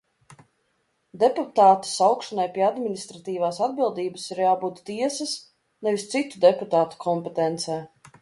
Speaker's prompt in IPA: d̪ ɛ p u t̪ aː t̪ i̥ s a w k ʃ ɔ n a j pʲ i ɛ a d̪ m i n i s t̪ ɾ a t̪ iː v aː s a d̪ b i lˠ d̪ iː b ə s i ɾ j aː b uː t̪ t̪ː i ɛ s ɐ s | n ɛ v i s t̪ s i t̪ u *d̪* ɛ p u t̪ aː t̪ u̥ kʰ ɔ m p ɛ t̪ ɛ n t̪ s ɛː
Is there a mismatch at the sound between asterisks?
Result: no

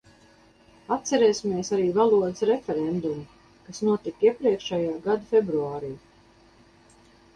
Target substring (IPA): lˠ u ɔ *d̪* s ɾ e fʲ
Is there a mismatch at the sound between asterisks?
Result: no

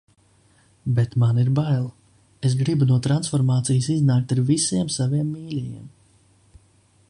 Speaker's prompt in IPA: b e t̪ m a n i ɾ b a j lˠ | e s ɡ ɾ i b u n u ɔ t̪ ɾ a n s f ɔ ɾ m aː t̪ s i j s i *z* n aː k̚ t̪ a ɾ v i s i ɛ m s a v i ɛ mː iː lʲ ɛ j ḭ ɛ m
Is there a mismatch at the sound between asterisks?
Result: no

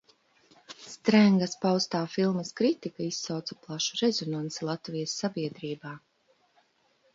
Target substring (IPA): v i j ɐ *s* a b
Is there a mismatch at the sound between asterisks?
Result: yes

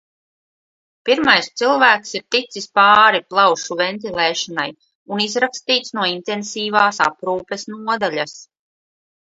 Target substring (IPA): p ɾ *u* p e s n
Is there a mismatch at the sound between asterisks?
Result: yes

